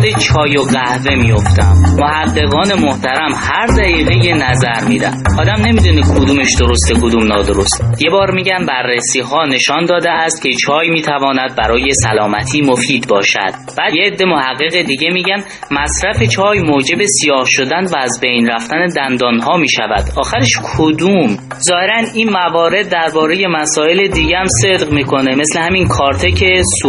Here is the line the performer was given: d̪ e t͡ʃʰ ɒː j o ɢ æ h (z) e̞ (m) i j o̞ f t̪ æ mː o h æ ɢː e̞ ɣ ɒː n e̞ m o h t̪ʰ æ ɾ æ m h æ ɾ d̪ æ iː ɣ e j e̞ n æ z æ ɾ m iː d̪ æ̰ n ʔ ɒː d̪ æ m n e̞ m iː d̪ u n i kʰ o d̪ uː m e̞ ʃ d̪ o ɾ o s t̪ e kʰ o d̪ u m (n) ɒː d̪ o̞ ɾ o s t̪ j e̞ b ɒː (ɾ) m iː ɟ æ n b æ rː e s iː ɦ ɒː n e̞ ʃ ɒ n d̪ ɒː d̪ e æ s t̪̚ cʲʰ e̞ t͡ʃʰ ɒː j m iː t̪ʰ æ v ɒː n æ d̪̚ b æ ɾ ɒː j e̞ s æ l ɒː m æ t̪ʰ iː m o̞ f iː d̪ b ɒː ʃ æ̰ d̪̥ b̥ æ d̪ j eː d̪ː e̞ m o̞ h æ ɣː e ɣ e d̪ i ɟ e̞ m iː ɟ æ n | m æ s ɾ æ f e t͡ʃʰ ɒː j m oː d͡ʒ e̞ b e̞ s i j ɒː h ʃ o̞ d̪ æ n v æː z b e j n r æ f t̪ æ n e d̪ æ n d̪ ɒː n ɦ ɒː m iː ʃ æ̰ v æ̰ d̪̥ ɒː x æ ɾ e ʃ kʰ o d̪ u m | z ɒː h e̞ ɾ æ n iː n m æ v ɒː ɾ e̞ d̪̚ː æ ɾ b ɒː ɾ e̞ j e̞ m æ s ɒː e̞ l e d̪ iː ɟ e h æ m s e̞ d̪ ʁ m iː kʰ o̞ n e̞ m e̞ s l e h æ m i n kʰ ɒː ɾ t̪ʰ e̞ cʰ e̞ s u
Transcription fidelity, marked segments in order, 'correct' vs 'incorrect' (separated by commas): incorrect, correct, correct, correct